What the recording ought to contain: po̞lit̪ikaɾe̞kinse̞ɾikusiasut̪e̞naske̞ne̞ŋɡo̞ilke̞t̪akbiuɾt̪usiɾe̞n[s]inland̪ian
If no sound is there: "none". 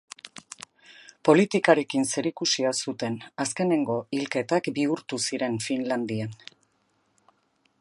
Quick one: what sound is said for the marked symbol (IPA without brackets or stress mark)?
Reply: f